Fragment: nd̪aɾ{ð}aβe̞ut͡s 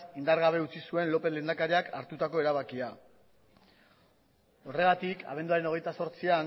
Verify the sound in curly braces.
incorrect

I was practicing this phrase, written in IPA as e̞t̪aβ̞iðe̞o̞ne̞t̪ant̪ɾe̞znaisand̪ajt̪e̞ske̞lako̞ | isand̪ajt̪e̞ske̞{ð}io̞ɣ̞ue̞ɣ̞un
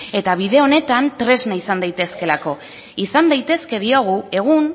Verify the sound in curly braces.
correct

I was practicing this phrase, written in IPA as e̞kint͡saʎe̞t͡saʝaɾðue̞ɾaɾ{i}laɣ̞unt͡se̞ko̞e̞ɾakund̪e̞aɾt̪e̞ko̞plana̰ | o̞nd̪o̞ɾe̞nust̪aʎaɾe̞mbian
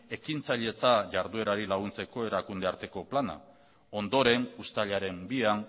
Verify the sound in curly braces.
correct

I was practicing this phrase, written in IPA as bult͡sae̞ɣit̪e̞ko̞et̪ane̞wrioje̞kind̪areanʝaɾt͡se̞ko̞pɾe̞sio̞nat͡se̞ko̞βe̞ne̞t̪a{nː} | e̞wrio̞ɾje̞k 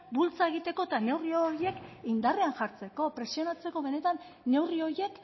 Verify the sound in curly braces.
correct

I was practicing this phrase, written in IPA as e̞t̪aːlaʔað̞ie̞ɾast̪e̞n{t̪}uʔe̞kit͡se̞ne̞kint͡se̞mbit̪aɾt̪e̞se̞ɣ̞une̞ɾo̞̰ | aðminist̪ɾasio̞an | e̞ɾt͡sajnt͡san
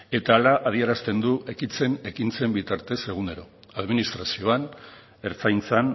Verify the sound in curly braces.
incorrect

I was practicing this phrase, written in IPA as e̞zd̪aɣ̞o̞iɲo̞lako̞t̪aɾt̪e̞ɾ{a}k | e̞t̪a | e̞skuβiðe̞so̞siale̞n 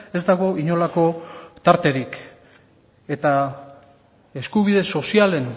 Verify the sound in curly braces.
incorrect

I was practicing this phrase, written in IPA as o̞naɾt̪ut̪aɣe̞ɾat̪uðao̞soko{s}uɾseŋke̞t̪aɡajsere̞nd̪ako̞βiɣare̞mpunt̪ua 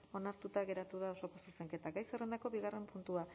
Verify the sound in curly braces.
correct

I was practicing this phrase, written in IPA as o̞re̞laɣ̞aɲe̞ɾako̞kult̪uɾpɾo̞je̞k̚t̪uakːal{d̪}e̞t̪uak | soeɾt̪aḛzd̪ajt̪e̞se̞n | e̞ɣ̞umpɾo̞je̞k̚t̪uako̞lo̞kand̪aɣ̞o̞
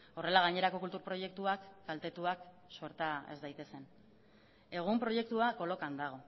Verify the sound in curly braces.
incorrect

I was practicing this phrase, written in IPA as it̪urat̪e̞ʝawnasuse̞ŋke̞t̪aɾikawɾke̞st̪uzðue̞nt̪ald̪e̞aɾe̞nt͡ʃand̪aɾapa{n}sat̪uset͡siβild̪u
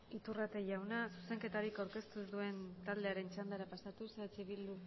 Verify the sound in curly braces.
incorrect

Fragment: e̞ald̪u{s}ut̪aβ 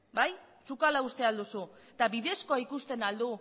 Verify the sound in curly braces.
correct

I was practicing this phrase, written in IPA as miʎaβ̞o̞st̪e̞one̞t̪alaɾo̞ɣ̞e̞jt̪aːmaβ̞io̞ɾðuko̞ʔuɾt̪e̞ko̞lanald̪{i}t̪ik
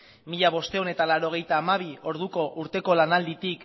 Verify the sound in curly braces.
correct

